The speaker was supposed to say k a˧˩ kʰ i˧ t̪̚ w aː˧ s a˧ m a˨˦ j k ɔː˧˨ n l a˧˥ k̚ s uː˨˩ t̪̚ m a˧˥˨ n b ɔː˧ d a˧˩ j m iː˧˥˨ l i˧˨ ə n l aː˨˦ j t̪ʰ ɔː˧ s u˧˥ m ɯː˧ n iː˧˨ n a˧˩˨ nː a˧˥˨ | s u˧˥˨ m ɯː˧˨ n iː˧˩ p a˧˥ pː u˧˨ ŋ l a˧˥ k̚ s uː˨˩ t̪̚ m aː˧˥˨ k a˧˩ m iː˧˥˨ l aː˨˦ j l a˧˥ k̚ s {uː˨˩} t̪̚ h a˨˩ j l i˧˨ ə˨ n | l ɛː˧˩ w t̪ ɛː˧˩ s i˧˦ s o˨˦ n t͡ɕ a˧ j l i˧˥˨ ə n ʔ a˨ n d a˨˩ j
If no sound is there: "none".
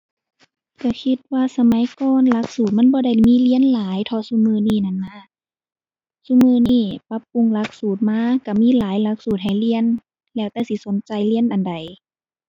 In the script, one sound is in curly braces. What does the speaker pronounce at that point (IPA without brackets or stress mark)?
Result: uː˨˩